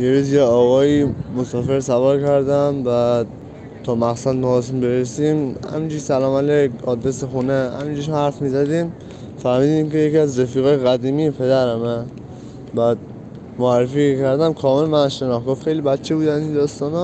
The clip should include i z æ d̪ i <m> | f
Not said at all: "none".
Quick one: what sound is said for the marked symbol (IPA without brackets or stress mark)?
m